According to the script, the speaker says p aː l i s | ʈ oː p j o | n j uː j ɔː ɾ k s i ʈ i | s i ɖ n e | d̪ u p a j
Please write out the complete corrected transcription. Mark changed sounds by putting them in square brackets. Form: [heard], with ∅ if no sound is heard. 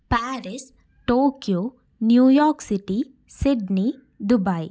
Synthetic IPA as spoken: p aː [ɾ] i s | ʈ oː [k] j o | n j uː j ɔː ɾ k s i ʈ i | s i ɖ n [i] | d̪ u [b] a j